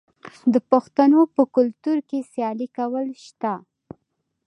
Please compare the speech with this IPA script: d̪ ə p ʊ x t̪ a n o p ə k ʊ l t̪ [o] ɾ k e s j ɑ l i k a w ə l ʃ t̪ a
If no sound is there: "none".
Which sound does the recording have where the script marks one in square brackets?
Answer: u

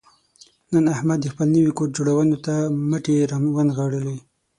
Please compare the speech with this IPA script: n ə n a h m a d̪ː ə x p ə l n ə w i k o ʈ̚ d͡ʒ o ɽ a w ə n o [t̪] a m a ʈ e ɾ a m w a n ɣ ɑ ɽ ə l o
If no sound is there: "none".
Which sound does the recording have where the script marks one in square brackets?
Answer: t̪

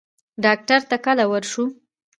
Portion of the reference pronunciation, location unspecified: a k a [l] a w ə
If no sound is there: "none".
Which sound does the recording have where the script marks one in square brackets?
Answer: l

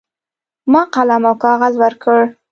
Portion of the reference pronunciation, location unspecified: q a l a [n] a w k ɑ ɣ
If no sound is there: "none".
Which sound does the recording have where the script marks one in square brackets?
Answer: m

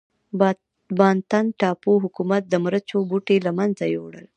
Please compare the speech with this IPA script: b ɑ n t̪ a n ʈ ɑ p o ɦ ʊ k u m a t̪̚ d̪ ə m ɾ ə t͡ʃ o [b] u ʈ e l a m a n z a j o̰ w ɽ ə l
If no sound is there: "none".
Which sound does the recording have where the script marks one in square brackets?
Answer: b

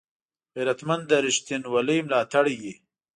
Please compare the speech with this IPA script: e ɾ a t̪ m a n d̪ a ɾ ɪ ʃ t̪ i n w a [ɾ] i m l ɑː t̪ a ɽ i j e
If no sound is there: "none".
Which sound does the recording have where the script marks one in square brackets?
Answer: l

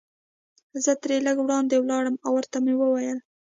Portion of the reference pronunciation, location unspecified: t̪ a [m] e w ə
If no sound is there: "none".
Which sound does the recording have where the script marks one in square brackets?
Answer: m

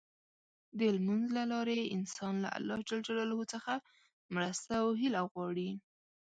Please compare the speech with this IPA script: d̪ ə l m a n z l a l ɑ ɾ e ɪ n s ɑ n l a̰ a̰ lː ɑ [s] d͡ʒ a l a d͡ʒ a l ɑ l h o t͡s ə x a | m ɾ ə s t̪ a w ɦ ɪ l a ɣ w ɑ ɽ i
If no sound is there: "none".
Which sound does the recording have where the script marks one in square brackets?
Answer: h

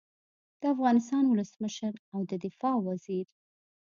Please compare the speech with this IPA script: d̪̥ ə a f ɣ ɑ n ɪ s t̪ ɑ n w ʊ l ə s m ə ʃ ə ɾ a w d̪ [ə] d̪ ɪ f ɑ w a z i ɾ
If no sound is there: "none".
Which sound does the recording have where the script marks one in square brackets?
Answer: ə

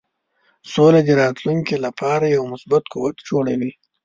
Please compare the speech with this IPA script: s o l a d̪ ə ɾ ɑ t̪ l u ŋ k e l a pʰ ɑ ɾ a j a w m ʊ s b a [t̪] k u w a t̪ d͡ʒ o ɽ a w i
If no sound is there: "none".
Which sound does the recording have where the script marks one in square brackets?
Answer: t̪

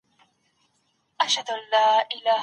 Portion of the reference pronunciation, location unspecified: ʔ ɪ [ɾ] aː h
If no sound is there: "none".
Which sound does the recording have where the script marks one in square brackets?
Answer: l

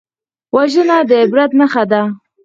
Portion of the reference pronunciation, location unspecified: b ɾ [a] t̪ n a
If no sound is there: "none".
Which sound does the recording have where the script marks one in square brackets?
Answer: a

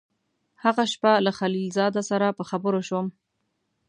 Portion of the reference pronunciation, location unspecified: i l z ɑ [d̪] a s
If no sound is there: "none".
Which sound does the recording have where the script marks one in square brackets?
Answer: d̪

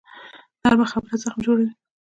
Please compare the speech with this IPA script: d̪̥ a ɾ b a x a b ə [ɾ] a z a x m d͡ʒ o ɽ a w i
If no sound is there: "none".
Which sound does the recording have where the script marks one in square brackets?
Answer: ɾ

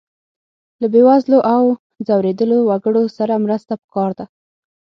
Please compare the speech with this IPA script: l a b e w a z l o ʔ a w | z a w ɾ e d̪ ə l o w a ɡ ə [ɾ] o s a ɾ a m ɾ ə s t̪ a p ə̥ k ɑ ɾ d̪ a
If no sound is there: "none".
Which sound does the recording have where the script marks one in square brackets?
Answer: ɽ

